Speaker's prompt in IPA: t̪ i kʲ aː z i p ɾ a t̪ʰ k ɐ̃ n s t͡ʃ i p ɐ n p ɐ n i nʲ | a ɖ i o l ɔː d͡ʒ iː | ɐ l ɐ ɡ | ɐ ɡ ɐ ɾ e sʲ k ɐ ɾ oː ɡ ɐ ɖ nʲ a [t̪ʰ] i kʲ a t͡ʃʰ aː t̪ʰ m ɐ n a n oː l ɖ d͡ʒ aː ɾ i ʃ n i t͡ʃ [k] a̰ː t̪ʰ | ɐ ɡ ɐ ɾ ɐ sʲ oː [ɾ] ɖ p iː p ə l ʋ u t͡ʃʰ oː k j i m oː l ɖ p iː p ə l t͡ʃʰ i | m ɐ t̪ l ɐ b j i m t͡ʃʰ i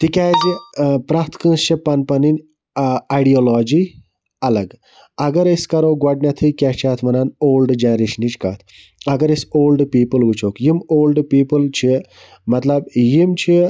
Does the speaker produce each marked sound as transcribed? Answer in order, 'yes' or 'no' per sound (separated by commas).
yes, yes, no